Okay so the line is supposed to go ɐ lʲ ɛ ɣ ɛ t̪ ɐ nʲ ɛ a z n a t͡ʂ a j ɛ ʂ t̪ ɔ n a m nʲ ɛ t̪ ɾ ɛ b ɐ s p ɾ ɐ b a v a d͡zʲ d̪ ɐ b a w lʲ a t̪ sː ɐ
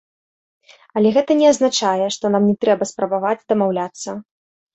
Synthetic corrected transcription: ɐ lʲ ɛ ɣ ɛ t̪ ɐ nʲ ɛ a z n a t͡ʂ a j ɛ ʂ t̪ ɔ n a m nʲ ɛ t̪ ɾ ɛ b ɐ s p ɾ ɐ b a v a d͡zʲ d̪ ɐ m a w lʲ a t̪ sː ɐ